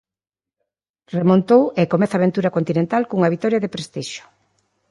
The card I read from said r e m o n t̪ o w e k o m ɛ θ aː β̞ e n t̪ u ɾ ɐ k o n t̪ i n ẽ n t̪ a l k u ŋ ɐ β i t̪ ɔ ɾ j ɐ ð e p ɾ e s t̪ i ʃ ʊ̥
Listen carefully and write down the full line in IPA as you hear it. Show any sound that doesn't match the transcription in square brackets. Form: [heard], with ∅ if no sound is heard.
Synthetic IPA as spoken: r e m o n t̪ o w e k o m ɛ θ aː β̞ e n t̪ u ɾ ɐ k o n t̪ i n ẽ n t̪ a l k u ŋ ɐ β i t̪ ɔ ɾ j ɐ ð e p ɾ e s t̪ i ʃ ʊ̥